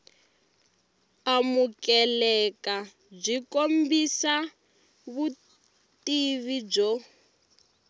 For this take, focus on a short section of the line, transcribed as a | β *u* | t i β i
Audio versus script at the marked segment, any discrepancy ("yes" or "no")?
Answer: no